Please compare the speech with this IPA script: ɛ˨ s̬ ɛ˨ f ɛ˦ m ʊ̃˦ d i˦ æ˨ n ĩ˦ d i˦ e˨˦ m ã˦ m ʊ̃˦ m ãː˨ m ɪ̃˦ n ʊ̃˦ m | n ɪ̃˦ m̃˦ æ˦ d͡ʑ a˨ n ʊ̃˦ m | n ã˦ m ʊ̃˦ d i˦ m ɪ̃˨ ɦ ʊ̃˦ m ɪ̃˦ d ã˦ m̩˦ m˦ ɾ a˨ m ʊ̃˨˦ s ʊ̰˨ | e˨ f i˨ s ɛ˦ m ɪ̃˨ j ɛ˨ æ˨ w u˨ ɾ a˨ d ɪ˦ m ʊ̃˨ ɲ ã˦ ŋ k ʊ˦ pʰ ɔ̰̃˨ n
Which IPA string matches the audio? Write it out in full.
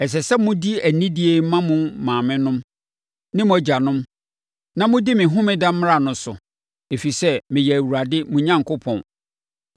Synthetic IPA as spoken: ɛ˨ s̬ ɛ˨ s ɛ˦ m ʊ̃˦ d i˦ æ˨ n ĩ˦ d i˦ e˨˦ m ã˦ m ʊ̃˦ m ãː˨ m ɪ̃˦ n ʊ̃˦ m | n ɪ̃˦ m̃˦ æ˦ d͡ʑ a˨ n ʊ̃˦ m | n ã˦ m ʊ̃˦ d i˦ m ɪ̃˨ ɦ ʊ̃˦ m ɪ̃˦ d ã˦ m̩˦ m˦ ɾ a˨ n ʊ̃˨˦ s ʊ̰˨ | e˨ f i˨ s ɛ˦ m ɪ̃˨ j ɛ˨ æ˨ w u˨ ɾ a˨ d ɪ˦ m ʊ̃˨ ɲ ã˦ ŋ k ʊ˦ pʰ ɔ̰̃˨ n